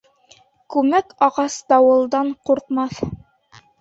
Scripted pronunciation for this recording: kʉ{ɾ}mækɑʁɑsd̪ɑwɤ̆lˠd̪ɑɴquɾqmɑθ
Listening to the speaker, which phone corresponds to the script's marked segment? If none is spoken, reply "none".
none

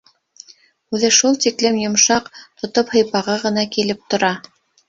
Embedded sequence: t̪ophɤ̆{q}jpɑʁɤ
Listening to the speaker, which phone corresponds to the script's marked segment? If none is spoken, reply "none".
none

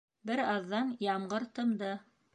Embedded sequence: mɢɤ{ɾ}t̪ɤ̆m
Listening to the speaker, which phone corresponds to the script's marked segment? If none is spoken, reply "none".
ɾ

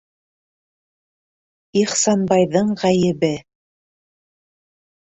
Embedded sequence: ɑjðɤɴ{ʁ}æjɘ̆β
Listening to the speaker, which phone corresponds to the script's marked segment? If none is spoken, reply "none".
ʁ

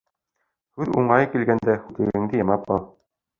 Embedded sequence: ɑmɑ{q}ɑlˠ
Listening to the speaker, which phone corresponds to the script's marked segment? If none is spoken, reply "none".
p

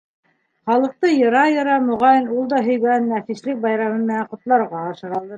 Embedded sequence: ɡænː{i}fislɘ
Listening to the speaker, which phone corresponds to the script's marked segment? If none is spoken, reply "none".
æ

